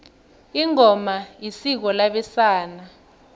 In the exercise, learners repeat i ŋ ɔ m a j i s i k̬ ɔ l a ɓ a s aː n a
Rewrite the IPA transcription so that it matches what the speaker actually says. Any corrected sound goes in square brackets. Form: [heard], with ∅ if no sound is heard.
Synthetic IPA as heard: i ŋ ɔ m a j i s i k̬ ɔ l a ɓ [ɛ] s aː n a